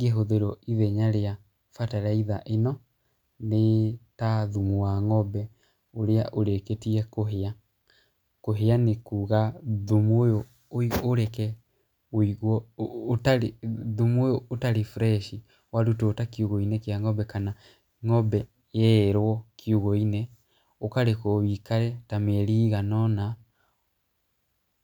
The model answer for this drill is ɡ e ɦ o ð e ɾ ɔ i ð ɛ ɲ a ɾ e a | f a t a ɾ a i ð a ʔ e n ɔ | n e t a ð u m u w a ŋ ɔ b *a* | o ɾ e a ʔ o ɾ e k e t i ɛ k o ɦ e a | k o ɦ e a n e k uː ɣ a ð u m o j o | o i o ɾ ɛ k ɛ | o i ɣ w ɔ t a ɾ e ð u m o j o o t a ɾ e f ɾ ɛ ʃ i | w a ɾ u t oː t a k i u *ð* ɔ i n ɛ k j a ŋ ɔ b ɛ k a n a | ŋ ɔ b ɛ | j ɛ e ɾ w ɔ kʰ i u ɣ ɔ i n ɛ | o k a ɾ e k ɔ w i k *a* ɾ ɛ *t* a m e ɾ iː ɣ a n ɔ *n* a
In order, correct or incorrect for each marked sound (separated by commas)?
incorrect, incorrect, correct, correct, correct